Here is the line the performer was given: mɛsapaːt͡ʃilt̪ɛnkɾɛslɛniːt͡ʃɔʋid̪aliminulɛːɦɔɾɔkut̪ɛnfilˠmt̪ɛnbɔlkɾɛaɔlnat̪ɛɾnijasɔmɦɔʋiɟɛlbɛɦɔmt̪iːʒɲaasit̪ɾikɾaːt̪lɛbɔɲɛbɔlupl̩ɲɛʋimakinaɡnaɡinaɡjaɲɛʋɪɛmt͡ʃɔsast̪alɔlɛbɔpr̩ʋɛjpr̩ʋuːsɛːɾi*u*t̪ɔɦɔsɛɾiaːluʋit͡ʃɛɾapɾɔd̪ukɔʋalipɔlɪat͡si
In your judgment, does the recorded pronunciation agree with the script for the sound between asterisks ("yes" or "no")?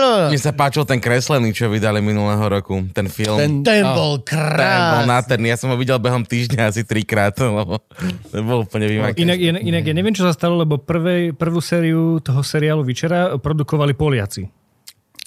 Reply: yes